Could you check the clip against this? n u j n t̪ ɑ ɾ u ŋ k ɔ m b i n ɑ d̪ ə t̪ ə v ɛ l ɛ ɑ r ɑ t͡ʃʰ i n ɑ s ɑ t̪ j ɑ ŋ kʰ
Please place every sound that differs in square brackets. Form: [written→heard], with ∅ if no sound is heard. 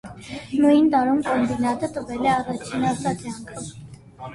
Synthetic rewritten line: n u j n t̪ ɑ ɾ u [ŋ→m] k ɔ m b i n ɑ [d̪→t̪] ə t̪ ə v ɛ l ɛ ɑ r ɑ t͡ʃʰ i n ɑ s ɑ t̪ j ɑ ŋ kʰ